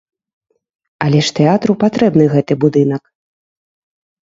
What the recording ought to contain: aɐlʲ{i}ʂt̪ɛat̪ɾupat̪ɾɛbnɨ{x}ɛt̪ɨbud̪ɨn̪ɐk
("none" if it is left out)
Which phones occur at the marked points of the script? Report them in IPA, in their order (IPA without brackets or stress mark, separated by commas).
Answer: ɛ, ɣ